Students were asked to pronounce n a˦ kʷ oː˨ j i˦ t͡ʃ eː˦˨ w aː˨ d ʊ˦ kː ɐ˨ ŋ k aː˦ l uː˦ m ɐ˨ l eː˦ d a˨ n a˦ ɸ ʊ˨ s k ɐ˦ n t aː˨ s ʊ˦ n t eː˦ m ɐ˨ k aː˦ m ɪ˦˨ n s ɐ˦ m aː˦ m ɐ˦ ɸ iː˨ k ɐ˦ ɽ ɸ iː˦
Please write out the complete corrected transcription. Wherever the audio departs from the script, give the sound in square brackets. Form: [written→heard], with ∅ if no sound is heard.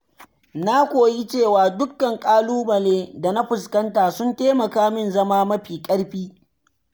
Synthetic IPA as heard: n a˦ kʷ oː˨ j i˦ t͡ʃ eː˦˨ w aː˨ d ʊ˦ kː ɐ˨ ŋ [k→kʼ] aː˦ l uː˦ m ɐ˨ l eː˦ d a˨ n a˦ ɸ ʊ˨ s k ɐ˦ n t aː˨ s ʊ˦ n t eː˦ m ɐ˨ k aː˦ m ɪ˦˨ n [s→z] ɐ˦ m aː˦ m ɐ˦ ɸ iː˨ [k→kʼ] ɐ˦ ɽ ɸ iː˦